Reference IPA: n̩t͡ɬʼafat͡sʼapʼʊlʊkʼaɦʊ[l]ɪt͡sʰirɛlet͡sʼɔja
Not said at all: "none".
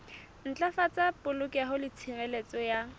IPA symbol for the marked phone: l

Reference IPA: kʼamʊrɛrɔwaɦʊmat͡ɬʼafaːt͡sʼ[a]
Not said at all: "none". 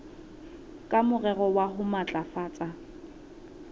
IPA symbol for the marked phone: a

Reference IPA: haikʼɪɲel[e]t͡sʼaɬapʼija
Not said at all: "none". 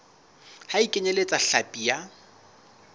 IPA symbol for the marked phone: e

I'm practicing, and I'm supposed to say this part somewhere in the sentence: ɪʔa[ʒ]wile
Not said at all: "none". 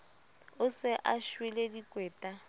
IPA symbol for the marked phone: ʃ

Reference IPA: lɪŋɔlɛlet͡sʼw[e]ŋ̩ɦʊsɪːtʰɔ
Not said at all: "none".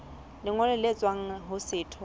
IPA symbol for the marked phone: a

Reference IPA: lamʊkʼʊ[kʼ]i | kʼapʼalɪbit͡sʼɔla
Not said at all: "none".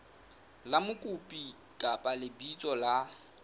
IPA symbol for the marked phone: pʼ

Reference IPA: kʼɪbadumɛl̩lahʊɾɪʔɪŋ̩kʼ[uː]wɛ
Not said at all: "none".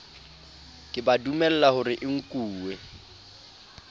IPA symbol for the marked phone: uː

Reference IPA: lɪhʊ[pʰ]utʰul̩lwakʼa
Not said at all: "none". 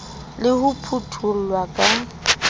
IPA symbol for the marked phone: pʰ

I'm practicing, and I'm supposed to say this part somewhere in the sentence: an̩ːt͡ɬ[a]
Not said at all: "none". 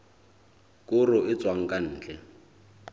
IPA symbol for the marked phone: ɛ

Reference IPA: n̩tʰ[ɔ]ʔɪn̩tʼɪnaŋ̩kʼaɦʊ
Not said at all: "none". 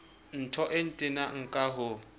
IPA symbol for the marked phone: ɔ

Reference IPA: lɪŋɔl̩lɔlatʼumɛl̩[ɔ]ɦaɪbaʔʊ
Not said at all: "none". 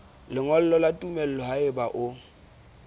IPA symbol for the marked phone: ɔ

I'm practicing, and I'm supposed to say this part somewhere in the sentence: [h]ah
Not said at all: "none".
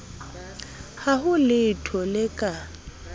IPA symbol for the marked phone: h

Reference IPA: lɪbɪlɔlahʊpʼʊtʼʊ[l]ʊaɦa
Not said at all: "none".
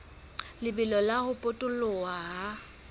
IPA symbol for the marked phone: l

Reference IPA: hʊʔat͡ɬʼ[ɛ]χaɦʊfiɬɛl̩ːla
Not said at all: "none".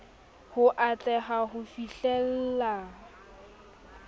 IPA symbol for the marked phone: ɛ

